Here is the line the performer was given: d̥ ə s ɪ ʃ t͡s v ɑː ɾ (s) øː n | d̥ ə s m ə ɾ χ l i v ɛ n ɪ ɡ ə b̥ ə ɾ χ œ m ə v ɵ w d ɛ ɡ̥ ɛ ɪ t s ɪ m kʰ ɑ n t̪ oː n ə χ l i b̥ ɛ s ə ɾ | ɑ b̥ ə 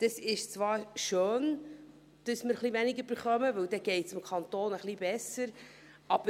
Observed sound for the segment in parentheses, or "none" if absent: ʃ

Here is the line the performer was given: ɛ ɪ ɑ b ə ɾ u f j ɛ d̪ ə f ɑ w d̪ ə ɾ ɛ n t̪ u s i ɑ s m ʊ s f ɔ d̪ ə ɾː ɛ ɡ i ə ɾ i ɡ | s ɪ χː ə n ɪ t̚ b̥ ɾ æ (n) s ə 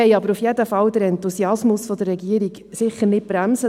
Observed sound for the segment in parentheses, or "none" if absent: m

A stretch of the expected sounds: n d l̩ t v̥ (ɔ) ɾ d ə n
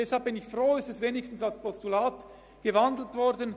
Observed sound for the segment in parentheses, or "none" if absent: ɔ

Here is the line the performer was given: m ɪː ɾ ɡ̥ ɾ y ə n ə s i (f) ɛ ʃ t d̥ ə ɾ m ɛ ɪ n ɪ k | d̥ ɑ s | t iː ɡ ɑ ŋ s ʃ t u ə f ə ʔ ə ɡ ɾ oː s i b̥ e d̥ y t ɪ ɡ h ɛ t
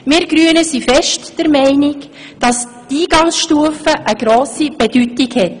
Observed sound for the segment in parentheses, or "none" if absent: f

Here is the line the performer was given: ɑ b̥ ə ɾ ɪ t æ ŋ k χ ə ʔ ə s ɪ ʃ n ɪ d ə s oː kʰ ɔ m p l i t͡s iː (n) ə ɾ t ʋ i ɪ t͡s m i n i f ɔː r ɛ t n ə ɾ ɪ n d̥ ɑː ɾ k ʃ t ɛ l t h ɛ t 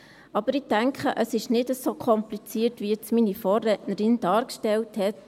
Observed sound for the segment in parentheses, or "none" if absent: none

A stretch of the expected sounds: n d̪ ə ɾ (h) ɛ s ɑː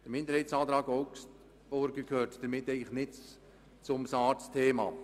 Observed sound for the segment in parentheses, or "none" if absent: h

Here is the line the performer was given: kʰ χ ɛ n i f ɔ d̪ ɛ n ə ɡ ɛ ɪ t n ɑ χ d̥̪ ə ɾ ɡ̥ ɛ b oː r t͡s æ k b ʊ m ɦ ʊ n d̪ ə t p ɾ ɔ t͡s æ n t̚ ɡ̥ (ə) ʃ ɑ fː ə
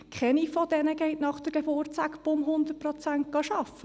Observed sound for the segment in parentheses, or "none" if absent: ɑ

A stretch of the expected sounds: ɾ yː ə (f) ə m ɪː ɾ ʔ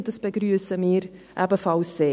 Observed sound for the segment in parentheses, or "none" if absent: s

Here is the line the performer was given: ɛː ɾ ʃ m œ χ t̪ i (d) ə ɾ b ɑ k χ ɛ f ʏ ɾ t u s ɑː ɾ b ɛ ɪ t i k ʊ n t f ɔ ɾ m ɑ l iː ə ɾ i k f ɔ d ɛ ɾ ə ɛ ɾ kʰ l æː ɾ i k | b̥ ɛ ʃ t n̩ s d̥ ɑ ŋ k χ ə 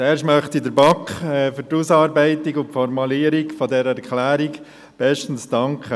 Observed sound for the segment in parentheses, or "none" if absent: d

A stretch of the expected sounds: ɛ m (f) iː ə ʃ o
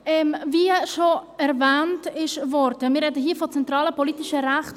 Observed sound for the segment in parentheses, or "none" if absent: v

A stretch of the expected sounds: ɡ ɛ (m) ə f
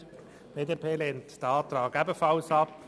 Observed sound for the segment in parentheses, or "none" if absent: b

